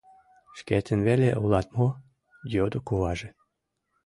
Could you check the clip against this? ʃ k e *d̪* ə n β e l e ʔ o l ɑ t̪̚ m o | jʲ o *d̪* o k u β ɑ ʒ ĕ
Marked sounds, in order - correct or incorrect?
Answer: incorrect: t̪, correct

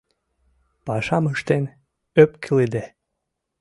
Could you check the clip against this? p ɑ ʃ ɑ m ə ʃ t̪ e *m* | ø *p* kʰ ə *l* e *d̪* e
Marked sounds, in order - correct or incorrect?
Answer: incorrect: n, correct, correct, correct

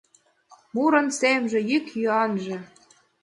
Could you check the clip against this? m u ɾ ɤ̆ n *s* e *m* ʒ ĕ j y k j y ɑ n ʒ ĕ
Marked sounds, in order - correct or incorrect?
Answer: correct, correct

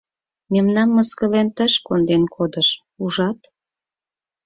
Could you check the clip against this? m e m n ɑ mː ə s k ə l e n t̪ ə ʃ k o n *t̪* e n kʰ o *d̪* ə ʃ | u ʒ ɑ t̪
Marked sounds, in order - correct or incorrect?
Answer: incorrect: d̪, correct

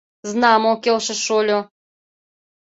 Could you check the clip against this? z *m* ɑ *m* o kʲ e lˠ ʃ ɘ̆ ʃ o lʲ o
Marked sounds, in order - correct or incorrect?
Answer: incorrect: n, correct

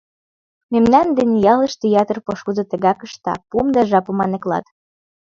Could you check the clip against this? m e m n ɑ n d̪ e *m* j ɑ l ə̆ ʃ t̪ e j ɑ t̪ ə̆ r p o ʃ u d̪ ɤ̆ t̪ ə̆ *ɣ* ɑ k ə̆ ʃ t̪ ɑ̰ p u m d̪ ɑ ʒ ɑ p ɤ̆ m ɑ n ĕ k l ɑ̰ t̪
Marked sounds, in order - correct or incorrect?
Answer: incorrect: n, correct

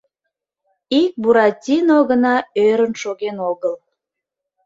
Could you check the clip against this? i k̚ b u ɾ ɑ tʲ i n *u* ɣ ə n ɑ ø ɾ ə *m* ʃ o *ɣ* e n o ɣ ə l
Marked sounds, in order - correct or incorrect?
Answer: incorrect: o, incorrect: n, correct

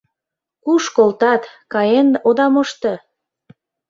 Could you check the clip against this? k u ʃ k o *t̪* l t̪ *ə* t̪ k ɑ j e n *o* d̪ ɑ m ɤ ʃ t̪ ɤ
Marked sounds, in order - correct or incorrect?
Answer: incorrect: none, incorrect: ɑ, correct

